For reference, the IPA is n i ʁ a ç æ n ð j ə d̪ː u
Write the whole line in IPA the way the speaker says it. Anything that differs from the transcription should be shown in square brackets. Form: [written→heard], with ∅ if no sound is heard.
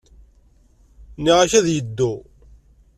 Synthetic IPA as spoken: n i ʁ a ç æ [n→∅] ð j ə d̪ː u